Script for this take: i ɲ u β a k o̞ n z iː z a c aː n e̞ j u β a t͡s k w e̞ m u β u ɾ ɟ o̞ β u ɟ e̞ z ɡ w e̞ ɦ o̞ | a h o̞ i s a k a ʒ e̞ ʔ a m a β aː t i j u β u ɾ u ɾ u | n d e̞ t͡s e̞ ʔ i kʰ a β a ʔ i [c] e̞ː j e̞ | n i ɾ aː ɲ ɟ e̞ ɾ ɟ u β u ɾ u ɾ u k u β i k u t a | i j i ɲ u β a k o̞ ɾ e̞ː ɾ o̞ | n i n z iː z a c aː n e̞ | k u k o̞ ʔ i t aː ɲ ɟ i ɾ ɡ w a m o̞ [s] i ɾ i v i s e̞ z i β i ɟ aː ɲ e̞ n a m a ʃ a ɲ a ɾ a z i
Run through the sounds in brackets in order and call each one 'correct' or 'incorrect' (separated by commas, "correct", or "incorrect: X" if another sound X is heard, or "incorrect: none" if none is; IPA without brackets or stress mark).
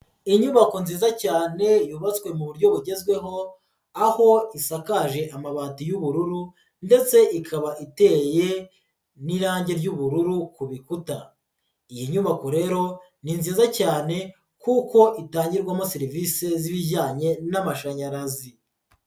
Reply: incorrect: t, correct